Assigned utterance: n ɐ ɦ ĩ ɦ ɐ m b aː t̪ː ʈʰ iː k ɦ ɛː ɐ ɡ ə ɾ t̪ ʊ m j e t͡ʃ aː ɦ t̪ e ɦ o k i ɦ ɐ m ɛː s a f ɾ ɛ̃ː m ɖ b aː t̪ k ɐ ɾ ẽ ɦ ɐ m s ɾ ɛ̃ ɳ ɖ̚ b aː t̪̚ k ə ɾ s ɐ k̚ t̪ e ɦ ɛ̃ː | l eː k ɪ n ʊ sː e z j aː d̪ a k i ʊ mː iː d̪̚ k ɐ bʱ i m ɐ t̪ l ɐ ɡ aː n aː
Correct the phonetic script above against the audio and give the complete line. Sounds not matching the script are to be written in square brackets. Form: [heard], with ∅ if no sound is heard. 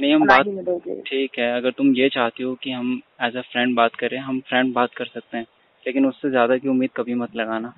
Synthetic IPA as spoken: n ɐ ɦ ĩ ɦ ɐ m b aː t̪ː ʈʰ iː k ɦ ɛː ɐ ɡ ə ɾ t̪ ʊ m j e t͡ʃ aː ɦ t̪ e ɦ o k i ɦ ɐ m ɛː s a f ɾ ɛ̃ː [ɳ] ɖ b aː t̪ k ɐ ɾ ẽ ɦ ɐ m [f] ɾ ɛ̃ ɳ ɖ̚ b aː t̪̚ k [ɐ] ɾ s ɐ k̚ t̪ e ɦ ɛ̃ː | l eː k ɪ n ʊ sː e z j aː d̪ a k i ʊ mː iː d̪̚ k ɐ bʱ i m ɐ t̪ l ɐ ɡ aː n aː